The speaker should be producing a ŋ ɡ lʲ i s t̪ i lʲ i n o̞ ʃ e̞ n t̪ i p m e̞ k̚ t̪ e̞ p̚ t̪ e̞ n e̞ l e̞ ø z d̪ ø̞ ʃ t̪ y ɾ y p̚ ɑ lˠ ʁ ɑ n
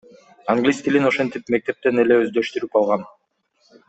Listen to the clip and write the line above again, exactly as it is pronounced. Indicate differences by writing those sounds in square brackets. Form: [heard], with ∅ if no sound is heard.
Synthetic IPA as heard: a ŋ ɡ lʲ i s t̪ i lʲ i n o̞ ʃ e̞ n t̪ i p m e̞ k̚ t̪ e̞ p̚ t̪ e̞ n e̞ l e̞ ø z d̪ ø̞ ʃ t̪ y ɾ y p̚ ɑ lˠ ʁ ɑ n